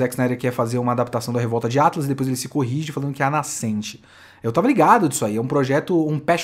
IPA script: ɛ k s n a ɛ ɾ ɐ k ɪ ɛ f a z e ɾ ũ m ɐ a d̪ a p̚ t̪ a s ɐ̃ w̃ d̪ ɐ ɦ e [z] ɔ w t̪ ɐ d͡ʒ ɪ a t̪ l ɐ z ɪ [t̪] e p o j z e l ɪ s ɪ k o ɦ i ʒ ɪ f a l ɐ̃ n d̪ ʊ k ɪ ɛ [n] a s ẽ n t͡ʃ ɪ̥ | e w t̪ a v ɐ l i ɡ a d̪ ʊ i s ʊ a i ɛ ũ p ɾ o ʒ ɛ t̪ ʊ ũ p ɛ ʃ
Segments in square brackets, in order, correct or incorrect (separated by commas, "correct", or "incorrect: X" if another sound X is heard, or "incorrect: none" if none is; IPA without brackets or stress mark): incorrect: v, incorrect: d̪, correct